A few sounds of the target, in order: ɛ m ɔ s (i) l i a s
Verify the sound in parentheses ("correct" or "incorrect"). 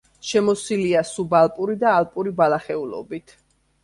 correct